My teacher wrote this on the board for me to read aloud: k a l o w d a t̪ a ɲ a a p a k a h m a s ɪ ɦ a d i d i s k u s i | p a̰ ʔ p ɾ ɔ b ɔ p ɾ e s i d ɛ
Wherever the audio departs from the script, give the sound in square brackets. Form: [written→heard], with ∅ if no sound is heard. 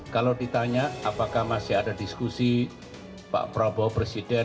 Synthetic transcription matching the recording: k a l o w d [a→i] t̪ a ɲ a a p a k a h m a s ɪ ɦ a d [i→a] d i s k u s i | p a̰ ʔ p ɾ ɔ b ɔ p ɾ e s i d ɛ